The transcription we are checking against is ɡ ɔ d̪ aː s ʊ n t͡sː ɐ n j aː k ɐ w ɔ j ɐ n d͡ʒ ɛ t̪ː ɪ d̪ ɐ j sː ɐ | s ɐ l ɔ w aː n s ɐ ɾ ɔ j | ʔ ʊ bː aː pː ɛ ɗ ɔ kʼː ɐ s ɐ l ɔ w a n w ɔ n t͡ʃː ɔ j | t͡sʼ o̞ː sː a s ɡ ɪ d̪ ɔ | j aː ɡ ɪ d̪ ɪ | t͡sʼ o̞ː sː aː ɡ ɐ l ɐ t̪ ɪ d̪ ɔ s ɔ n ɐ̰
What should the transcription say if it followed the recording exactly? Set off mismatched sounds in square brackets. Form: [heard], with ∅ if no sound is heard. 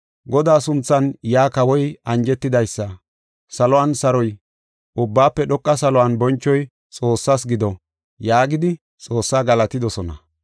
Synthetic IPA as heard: ɡ ɔ d̪ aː s ʊ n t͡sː ɐ n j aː k ɐ w ɔ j ɐ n d͡ʒ ɛ t̪ː ɪ d̪ ɐ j sː ɐ | s ɐ l ɔ w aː n s ɐ ɾ ɔ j | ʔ ʊ bː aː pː ɛ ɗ ɔ kʼː ɐ s ɐ l ɔ w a n [b] ɔ n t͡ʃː ɔ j | t͡sʼ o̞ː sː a s ɡ ɪ d̪ ɔ | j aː ɡ ɪ d̪ ɪ | t͡sʼ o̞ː sː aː ɡ ɐ l ɐ t̪ ɪ d̪ ɔ s ɔ n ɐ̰